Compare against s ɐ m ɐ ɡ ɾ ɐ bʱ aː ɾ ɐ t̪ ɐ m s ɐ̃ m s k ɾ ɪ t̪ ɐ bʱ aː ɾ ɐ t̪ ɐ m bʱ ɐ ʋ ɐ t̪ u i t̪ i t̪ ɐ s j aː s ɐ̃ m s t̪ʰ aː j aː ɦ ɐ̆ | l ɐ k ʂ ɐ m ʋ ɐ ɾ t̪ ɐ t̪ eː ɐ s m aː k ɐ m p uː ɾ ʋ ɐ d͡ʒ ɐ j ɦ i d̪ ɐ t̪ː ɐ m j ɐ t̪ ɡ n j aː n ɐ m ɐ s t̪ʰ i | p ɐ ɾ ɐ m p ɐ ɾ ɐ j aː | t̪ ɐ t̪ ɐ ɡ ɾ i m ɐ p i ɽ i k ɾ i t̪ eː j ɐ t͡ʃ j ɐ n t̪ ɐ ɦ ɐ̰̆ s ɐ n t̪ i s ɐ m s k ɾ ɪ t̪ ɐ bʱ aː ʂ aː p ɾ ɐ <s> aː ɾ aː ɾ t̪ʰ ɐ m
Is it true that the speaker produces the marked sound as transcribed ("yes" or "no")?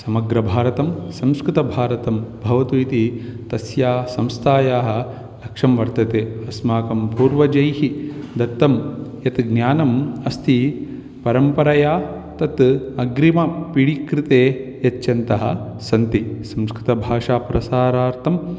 yes